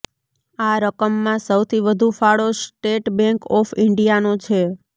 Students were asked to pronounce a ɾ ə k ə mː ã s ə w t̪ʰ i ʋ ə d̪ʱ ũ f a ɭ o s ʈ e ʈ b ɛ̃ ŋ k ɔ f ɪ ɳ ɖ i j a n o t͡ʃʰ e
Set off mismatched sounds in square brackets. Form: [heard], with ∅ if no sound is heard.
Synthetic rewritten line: a ɾ ə k ə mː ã s ə w t̪ʰ i ʋ ə d̪ʱ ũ f a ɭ o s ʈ e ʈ b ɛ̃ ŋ k ɔ f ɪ ɳ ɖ i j a n o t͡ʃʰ e